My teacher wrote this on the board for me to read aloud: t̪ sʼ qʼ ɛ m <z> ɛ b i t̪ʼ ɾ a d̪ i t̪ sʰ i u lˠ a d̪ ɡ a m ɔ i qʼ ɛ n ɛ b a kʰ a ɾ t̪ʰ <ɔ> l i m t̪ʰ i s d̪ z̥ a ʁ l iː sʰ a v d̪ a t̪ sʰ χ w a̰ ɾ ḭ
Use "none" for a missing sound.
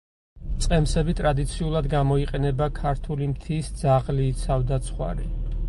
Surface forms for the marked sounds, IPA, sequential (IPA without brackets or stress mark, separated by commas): s, u